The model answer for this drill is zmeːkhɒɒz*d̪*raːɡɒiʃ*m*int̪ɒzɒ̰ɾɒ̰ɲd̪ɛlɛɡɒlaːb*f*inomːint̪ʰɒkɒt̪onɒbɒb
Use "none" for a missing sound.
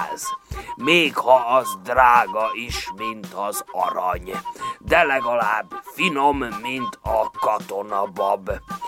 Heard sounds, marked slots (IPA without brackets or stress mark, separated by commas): d̪, m, f